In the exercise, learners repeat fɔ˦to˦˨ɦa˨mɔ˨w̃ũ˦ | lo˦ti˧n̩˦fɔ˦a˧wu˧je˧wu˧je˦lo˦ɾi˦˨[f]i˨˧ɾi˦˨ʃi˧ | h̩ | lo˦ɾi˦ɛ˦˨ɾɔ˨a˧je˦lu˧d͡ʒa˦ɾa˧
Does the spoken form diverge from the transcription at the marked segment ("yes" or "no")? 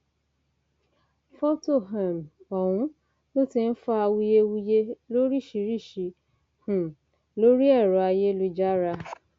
yes